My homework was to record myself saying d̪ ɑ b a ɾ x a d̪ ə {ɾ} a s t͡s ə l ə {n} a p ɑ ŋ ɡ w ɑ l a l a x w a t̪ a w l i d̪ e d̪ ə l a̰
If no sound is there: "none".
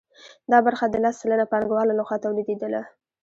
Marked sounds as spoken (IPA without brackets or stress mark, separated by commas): l, n